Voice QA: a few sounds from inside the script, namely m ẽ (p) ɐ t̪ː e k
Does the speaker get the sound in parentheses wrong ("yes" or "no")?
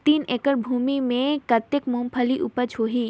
yes